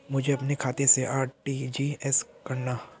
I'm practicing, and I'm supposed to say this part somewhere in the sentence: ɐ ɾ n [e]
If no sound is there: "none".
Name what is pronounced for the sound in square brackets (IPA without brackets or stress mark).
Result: a